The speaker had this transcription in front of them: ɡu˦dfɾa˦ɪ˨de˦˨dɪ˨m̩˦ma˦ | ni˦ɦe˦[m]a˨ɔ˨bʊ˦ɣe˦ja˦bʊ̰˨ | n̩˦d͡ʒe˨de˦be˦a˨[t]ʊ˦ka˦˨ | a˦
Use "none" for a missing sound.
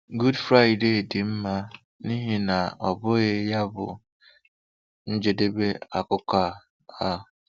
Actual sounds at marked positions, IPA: n, k

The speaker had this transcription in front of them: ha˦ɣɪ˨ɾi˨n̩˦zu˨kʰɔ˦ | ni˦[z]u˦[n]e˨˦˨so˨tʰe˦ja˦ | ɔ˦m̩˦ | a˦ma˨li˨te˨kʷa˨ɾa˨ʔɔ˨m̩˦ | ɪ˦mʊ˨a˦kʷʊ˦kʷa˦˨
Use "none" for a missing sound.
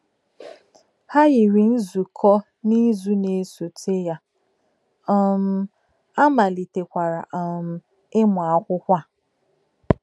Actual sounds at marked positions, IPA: z, n

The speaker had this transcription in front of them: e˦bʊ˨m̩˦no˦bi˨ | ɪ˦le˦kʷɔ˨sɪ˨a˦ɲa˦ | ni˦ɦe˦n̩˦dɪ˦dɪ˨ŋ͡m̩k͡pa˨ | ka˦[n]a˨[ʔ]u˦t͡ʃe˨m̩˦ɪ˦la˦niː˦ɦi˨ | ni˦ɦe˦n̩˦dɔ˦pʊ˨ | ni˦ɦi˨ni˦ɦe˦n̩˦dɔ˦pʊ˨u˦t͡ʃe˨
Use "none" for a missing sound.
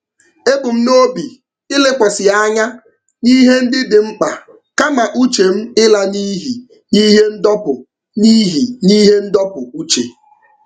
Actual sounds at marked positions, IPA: m, ʔ

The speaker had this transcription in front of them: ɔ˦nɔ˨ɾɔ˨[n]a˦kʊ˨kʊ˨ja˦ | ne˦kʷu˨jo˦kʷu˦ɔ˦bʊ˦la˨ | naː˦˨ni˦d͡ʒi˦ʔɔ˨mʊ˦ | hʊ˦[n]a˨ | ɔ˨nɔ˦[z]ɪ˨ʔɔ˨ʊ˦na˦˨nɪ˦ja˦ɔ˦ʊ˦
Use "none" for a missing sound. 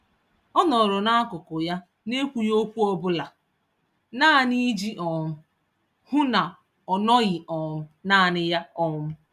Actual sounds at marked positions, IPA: n, n, ɣ

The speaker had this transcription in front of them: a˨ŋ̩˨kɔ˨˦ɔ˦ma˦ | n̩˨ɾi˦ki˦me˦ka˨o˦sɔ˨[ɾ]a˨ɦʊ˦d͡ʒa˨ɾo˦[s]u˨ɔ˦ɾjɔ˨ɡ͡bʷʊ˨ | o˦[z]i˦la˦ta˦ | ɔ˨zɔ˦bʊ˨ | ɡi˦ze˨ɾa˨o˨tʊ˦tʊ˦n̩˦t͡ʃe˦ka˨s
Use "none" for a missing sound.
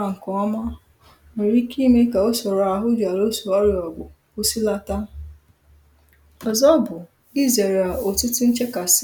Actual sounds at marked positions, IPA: ɾ, s, s

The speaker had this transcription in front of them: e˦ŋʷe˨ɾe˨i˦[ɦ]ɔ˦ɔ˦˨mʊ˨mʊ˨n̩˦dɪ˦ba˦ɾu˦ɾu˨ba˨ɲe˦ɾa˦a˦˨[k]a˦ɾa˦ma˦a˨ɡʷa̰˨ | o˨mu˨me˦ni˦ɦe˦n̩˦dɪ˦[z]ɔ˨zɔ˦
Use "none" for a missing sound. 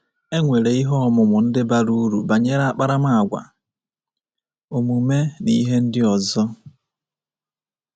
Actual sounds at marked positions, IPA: ɦ, k͡p, none

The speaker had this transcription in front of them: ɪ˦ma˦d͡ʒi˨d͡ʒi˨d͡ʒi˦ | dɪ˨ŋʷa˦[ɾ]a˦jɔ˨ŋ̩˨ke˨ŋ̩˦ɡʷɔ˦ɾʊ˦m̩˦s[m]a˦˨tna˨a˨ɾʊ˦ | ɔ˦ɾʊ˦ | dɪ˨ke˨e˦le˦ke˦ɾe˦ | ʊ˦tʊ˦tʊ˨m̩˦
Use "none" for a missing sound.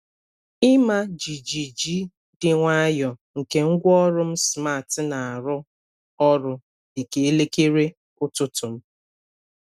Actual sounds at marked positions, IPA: none, m

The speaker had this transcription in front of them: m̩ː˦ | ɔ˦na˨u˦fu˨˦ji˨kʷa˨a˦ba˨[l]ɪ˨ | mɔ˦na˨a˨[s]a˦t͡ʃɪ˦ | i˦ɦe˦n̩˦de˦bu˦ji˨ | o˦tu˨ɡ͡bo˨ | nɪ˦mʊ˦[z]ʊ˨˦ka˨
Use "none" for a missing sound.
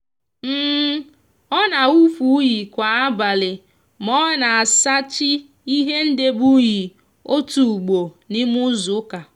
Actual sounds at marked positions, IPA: l, s, z

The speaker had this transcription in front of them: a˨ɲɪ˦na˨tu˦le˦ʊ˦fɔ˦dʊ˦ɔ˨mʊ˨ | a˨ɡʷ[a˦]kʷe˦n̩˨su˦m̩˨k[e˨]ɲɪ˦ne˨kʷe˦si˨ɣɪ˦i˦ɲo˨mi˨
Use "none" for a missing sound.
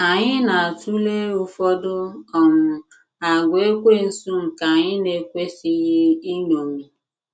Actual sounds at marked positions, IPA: e˦, a˨

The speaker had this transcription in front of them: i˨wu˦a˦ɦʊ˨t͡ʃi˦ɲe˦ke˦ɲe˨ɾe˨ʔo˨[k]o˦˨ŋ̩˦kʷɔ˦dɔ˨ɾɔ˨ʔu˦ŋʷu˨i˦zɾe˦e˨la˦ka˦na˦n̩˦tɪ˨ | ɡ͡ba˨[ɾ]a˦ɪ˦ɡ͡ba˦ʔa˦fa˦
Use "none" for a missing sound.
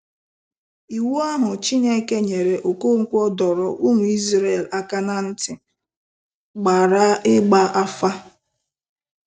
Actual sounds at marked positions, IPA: k, ɾ

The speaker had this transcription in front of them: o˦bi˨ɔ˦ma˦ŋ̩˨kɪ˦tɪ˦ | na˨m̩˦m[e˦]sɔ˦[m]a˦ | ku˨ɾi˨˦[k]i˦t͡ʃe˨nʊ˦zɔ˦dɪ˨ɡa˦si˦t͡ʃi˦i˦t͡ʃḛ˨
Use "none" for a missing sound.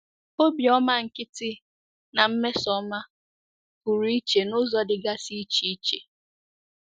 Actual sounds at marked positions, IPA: e˦, m, none

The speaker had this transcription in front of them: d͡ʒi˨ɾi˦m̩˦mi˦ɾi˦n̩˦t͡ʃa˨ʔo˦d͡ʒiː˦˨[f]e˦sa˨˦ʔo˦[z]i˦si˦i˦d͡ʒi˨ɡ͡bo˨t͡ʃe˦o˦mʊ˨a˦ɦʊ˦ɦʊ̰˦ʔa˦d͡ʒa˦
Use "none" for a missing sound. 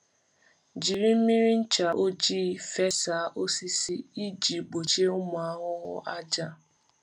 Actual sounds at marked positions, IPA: f, s

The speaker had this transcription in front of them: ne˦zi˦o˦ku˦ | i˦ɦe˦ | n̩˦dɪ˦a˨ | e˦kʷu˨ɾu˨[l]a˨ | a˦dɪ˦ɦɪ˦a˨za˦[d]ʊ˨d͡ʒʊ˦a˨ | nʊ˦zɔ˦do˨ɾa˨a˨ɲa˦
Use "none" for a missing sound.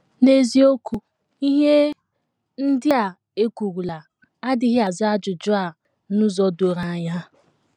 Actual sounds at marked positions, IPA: l, d͡ʒ

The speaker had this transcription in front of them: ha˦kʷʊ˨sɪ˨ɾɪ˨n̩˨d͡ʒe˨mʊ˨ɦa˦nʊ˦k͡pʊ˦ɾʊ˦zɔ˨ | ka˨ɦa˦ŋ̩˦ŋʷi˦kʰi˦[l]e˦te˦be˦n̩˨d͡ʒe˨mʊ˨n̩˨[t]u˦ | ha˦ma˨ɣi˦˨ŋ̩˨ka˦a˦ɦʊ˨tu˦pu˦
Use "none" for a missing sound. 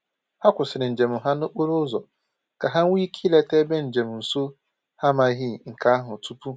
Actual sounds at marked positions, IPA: l, s

